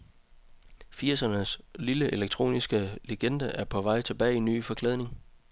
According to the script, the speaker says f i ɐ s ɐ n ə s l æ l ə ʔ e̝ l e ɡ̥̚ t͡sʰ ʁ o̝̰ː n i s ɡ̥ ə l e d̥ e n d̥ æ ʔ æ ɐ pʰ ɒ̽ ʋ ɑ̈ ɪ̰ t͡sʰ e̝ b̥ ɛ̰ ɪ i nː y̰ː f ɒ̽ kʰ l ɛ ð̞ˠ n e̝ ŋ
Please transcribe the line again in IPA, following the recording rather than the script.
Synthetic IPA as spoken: f i ɐ s ɐ n ə s l i l ə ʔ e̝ l e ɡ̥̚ t͡sʰ ʁ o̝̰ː n i s ɡ̥ ə l e ɡ̥ e n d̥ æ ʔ æ ɐ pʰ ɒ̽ ʋ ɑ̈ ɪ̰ t͡sʰ e̝ b̥ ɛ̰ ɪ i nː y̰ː f ɒ̽ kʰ l ɛ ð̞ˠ n e̝ ŋ